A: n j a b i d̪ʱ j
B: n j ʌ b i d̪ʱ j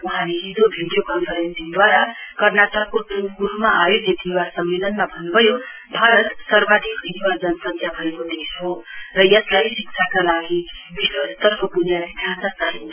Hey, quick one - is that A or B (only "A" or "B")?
A